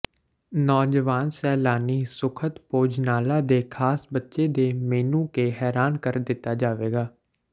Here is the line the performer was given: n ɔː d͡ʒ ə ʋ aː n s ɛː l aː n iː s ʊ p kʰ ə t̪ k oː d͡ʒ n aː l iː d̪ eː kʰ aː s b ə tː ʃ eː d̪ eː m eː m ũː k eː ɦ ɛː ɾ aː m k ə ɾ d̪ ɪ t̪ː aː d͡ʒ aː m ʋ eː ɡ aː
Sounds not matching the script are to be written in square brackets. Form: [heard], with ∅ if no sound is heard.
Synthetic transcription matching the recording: n ɔː d͡ʒ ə ʋ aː n s ɛː l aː n iː s ʊ [∅] kʰ ə t̪ [p] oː d͡ʒ n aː l [aː] d̪ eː kʰ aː s b ə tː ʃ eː d̪ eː m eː [n] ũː k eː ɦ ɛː ɾ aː [n] k ə ɾ d̪ ɪ t̪ː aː d͡ʒ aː [∅] ʋ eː ɡ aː